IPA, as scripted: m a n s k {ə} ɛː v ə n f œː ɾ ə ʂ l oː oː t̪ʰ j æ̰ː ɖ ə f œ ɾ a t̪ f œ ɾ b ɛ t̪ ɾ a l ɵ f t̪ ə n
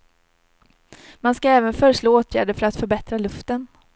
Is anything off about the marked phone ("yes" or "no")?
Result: yes